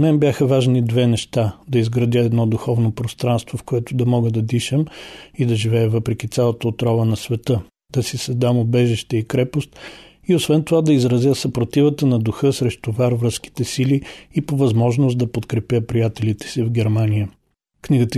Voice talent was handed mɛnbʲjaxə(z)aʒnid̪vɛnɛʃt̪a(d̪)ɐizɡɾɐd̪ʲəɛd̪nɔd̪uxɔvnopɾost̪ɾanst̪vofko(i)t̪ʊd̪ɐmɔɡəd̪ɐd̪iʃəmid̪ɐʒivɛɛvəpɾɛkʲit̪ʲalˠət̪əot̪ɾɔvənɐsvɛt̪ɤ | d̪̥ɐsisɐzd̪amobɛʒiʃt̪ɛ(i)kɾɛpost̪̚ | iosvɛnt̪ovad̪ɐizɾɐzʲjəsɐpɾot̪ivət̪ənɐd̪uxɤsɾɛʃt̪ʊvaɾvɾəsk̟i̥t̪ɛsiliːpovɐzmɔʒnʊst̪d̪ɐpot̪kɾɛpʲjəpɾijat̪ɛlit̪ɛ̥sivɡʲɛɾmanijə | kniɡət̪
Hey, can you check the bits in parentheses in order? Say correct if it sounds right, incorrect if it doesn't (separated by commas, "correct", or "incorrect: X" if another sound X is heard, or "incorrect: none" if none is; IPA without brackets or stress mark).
incorrect: v, correct, incorrect: ɛ, correct